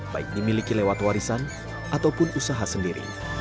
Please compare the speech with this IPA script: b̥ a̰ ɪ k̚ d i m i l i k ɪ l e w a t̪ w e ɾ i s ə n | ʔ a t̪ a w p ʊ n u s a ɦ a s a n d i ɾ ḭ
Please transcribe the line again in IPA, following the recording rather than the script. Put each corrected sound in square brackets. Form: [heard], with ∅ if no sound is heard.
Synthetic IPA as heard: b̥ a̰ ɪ k̚ d i m i l i k [i] l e w a t̪ w [a] ɾ i s [a] n | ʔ a t̪ a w p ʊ n u s a ɦ a s [ə] n d i ɾ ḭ